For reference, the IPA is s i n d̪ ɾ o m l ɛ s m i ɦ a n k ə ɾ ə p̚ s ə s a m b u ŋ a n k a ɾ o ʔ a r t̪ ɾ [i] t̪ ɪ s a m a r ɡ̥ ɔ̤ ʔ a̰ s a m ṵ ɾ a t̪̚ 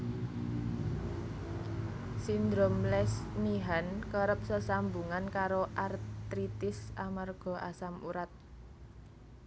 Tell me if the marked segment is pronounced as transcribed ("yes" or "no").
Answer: yes